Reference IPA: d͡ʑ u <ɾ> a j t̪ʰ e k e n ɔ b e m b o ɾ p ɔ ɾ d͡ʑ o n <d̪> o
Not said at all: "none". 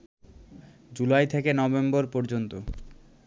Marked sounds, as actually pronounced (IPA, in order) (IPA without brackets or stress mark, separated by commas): l, t̪